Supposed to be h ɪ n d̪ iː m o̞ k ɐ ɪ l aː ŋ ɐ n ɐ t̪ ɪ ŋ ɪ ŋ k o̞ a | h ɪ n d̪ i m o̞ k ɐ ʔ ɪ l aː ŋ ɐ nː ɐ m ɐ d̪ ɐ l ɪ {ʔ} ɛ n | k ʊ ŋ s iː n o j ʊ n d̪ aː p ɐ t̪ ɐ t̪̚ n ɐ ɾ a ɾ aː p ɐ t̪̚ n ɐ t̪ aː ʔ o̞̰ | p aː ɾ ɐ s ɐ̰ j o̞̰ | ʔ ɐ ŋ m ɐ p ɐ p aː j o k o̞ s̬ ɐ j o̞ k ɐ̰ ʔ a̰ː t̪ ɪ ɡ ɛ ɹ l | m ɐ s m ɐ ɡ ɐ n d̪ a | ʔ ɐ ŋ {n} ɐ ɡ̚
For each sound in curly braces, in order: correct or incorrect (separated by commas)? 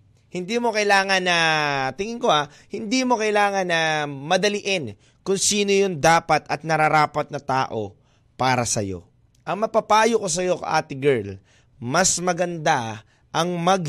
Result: correct, incorrect